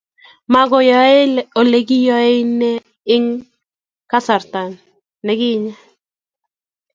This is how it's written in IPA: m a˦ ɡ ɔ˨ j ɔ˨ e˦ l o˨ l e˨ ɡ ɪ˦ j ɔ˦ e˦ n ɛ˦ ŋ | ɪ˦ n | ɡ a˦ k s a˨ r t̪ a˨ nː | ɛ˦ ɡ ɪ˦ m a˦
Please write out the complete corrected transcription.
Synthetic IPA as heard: m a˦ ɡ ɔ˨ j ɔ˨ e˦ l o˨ l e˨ ɡ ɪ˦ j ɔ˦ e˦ n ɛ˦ | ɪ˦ ŋ | k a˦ s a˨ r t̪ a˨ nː | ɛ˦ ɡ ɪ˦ ɲ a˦